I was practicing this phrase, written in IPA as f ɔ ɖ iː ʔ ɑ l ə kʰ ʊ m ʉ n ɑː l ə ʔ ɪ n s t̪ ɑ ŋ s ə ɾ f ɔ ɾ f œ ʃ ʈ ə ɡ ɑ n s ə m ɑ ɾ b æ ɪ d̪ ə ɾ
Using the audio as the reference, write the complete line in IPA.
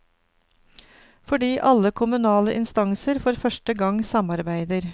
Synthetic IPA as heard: f ɔ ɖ iː ʔ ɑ l ə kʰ ʊ m ʉ n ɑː l ə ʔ ɪ n s t̪ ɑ ŋ s ə ɾ f ɔ ɾ f œ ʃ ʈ ə ɡ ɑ ŋ s ɑ m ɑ ɾ b æ ɪ d̪ ə ɾ

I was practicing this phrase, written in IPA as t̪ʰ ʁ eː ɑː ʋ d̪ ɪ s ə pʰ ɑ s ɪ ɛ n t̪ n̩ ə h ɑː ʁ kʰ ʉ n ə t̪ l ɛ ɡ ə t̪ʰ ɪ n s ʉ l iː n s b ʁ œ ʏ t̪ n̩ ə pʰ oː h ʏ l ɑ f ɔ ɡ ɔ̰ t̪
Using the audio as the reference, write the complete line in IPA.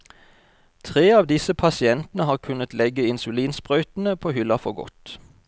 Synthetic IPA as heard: t̪ʰ ʁ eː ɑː ʋ d̪ ɪ s ə pʰ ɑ s ɪ ɛ n t̪ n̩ ə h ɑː ʁ kʰ ʉ n ə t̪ l ɛ ɡ ə ɪ n s ʉ l iː n s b ʁ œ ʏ t̪ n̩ ə pʰ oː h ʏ l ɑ f ɔ ɡ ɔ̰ t̪

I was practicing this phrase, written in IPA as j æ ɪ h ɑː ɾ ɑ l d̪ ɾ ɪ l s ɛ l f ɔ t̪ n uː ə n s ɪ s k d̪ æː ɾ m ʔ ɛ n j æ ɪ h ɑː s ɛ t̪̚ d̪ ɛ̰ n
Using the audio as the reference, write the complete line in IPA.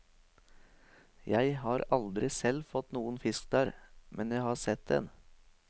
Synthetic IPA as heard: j æ ɪ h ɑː ɾ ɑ l d̪ ɾ ɪ s ɛ l f ɔ t̪ n uː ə n f ɪ s k d̪ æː ɾ m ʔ ɛ n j æ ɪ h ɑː s ɛ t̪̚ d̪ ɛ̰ n

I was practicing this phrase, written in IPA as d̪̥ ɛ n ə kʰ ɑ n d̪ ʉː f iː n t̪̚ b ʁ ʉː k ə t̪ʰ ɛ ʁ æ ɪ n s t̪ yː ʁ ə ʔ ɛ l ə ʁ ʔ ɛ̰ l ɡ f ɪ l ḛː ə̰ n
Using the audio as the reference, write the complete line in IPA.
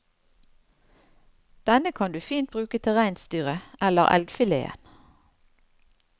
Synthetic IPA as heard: d̪̥ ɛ n ə kʰ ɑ n d̪ ʉː f iː n t̪̚ b ʁ ʉː k ə t̪ʰ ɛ ʁ æ ɪ n s t̪ yː ʁ ə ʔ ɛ l ə ʁ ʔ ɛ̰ l ɡ f ɪ l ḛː ə̰ n

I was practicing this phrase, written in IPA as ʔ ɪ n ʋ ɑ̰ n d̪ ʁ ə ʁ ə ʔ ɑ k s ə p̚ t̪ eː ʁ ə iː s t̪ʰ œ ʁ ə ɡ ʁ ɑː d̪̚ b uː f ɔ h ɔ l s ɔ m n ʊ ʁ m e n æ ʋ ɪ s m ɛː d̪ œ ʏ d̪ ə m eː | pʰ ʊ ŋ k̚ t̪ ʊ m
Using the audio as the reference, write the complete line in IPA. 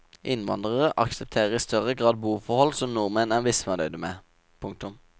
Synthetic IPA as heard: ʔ ɪ n ʋ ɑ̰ n d̪ ʁ ə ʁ ə ʔ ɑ k s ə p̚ t̪ʰ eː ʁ ə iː s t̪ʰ œ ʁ ə ɡ ʁ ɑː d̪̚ b uː f ɔ h ɔ l s ɔ m n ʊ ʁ m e n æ ʋ ɪ s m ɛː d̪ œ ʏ d̪ ə m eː | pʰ ʊ ŋ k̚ t̪ ʊ m

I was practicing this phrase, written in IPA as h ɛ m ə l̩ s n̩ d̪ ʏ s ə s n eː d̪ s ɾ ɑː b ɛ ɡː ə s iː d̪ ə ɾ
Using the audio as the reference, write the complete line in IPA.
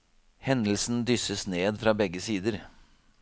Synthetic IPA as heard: h ɛ n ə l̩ s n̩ d̪ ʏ s ə s n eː d̪ f ɾ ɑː b ɛ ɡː ə s iː d̪ ə ɾ

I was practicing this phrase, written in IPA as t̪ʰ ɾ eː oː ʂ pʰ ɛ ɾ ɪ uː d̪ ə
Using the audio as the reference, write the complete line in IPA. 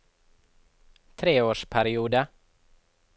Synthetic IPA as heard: t̪ʰ ɾ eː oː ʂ pʰ æ ɾ ɪ uː d̪ ə

